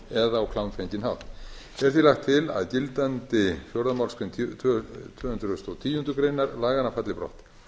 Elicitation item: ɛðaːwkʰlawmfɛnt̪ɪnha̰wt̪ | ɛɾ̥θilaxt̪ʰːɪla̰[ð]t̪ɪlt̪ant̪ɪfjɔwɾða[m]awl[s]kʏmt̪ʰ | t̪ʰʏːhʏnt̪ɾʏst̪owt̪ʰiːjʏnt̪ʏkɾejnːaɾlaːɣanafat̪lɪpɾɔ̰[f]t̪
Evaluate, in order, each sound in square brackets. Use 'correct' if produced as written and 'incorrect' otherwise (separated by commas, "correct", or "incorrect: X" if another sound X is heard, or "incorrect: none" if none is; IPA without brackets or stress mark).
correct, correct, correct, incorrect: h